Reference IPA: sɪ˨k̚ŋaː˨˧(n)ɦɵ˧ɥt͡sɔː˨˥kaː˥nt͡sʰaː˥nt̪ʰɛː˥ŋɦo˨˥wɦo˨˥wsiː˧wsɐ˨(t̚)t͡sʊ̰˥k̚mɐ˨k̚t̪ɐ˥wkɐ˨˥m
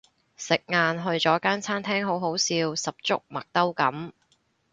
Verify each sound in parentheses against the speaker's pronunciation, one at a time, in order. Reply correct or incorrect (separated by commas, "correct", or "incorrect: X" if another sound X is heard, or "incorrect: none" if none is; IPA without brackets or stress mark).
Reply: correct, incorrect: p̚